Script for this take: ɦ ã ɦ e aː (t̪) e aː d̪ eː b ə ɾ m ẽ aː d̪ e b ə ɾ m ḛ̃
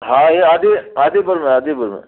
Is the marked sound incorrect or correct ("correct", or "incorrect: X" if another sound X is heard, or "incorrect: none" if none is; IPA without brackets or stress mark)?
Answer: incorrect: d̪